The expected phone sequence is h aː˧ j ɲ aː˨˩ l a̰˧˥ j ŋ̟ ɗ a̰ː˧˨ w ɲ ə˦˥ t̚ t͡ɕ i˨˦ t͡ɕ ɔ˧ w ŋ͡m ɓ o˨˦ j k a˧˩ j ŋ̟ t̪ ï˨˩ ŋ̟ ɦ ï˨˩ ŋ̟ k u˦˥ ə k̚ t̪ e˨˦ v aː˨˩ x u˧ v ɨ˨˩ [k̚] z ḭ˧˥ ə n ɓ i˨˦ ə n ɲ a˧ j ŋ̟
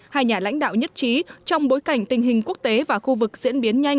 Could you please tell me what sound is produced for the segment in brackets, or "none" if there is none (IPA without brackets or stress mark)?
k̚